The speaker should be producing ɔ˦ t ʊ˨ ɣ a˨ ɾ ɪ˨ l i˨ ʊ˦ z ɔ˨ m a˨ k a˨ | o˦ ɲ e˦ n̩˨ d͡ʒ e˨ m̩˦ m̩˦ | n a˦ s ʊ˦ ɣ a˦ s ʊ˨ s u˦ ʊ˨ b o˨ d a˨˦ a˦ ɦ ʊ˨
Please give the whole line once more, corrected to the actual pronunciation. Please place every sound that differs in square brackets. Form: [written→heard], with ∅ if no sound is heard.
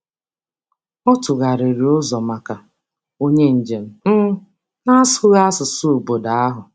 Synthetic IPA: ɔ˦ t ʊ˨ ɣ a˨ ɾ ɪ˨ [l→ɾ] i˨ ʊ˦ z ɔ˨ m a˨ k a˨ | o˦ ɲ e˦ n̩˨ d͡ʒ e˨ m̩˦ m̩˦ | n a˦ s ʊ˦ ɣ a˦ s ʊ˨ s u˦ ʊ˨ b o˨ d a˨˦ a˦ ɦ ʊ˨